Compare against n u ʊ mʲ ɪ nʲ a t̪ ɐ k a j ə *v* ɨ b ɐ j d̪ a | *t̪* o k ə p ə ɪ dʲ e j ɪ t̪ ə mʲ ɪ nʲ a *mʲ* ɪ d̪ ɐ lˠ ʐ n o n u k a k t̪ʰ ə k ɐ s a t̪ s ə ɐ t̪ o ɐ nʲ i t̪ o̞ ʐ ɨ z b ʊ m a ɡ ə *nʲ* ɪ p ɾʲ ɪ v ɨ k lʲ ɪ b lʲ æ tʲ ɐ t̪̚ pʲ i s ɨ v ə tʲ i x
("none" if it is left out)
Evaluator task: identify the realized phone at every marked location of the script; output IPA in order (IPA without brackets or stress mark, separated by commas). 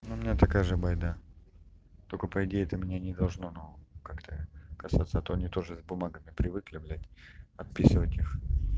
ʐ, t̪, nʲ, mʲ